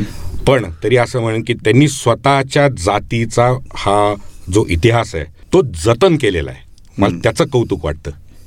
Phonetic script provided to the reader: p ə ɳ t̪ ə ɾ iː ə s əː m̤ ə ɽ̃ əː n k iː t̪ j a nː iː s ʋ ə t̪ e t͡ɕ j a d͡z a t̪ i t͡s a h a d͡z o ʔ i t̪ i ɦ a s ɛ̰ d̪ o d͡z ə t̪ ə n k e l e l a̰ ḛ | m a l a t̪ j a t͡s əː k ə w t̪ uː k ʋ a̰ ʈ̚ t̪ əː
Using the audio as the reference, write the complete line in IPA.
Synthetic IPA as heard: p ə ɳ t̪ ə ɾ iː ə s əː m̤ ə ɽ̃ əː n k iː t̪ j a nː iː s ʋ ə t̪ a t͡ɕ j a d͡z a t̪ i t͡s a h a d͡z o ʔ i t̪ i ɦ a s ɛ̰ t̪ o d͡z ə t̪ ə n k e l e l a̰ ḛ | m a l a t̪ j a t͡s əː k ə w t̪ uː k ʋ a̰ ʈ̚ t̪ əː